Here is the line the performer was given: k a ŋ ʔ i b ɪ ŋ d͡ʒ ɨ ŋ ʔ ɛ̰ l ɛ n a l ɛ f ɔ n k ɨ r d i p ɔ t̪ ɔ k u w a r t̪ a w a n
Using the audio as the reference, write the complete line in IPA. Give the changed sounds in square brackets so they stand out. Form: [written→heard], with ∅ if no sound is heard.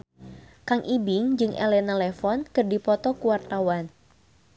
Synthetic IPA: k a ŋ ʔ i b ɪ ŋ d͡ʒ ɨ ŋ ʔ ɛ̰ l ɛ n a l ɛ f ɔ n k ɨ r d i p ɔ t̪ ɔ k u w a r t̪ a w a n

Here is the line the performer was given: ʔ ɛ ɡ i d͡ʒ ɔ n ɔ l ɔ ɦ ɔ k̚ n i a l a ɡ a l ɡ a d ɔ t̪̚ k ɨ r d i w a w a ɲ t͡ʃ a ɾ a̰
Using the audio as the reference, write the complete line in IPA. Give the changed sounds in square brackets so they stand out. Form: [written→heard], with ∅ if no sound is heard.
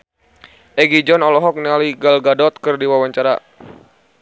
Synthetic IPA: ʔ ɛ ɡ i d͡ʒ ɔ n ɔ l ɔ ɦ ɔ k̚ n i a l [a→i] ɡ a l ɡ a d ɔ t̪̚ k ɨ r d i w a w a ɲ t͡ʃ a ɾ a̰

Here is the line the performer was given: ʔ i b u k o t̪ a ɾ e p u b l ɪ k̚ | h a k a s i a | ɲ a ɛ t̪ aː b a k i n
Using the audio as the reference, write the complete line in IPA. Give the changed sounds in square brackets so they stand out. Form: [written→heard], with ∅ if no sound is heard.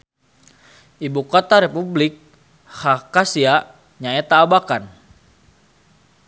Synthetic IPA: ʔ i b u k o t̪ a ɾ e p u b l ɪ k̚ | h a k a s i a | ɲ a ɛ t̪ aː b a k [i→a] n

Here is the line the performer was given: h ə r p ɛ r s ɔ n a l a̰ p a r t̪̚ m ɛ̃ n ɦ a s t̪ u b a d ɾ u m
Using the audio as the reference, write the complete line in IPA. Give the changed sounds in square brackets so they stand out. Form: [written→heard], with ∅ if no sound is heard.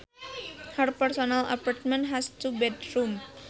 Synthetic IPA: h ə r p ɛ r s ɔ n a l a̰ p a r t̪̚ m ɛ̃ n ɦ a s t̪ u b [a→ɛ] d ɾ u m

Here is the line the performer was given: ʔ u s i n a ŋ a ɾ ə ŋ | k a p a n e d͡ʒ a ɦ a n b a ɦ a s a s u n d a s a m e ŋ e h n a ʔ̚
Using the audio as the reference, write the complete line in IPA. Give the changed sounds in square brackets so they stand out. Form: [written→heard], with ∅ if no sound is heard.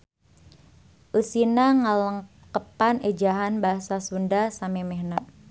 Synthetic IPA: ʔ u s i n a ŋ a [ɾ→l] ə ŋ | k [a→ə] p a n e d͡ʒ a ɦ a n b a ɦ a s a s u n d a s a m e [ŋ→m] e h n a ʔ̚

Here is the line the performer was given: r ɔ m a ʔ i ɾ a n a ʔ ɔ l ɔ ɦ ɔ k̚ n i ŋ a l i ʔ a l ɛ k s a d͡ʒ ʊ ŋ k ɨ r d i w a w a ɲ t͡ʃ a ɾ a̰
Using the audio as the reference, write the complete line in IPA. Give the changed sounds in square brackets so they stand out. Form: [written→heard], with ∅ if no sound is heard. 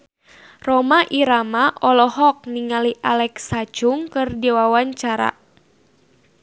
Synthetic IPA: r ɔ m a ʔ i ɾ a [n→m] a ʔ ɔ l ɔ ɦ ɔ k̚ n i ŋ a l i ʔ a l ɛ k s a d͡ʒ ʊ ŋ k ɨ r d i w a w a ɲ t͡ʃ a ɾ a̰

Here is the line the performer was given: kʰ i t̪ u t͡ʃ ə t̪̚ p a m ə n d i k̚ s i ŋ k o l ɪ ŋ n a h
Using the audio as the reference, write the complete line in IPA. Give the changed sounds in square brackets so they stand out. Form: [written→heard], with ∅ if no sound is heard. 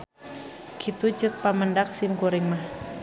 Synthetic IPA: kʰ i t̪ u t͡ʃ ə t̪̚ p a m ə n d [i→a] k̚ s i [ŋ→m] k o [l→ɾ] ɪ ŋ [n→m] a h

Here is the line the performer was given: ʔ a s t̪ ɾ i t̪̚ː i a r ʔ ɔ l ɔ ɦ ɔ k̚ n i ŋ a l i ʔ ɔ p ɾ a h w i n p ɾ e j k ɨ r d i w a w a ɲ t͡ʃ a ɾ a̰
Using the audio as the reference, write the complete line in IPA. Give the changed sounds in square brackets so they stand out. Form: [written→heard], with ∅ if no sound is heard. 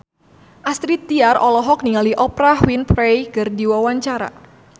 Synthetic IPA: ʔ a s t̪ ɾ i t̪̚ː i a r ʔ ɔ l ɔ ɦ ɔ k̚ n i ŋ a l i ʔ ɔ p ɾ a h w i n p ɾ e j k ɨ r d i w a w a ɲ t͡ʃ a ɾ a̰

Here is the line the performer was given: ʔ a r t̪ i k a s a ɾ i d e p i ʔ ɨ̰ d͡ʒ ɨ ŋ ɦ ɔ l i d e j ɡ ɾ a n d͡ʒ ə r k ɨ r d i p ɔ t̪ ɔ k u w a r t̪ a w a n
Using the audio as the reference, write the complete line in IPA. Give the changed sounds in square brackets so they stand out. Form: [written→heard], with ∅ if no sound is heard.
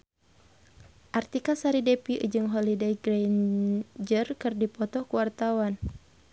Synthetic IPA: ʔ a r t̪ i k a s a ɾ i d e p i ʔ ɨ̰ d͡ʒ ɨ ŋ ɦ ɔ l i d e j ɡ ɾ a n d͡ʒ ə r k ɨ r d i p ɔ t̪ ɔ k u w a r t̪ a w a n

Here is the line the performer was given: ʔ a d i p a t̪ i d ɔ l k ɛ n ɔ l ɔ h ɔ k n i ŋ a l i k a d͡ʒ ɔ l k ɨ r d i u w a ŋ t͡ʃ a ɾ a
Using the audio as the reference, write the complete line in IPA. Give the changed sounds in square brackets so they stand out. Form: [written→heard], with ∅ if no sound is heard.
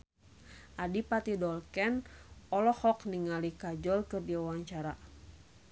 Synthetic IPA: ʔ a d i p a t̪ i d ɔ l k ɛ n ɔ l ɔ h ɔ k n i ŋ a l i k a d͡ʒ ɔ l k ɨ r d i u w a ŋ t͡ʃ a ɾ a

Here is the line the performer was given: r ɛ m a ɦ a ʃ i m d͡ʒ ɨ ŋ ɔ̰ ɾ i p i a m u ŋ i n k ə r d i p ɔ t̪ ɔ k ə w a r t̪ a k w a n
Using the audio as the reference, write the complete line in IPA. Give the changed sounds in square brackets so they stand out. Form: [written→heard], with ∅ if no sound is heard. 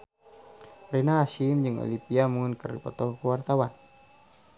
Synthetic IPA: r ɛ [m→n] a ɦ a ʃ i m d͡ʒ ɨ ŋ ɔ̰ [ɾ→l] i p i a m u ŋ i n k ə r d i p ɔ t̪ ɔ k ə w a r t̪ a [k→∅] w a n

